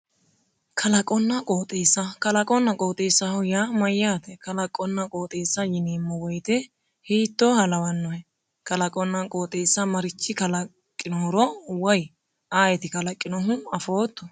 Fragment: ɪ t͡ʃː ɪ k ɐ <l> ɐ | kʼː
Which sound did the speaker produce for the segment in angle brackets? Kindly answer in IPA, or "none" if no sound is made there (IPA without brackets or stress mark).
l